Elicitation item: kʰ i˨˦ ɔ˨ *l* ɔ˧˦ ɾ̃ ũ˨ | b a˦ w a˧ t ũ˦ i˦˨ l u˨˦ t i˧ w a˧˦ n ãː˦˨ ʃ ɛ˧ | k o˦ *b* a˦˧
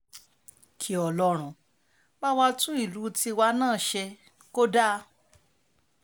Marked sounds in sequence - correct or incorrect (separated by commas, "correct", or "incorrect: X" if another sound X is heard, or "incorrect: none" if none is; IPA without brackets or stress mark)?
correct, incorrect: d